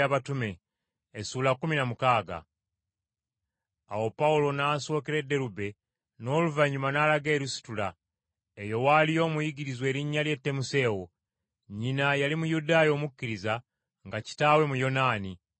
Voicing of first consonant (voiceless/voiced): voiced